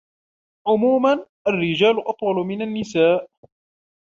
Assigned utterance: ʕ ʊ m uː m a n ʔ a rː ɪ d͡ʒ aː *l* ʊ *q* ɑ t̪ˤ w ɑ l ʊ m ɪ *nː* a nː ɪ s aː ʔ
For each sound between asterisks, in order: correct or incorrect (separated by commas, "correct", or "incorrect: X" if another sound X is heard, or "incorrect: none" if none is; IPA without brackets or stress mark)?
correct, incorrect: ʔ, incorrect: n